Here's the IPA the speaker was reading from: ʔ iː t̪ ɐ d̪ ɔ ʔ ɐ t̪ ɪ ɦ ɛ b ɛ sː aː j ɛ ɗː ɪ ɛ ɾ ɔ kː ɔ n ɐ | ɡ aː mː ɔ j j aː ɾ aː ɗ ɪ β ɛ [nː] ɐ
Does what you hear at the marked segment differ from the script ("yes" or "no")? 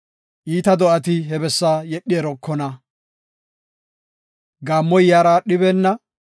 no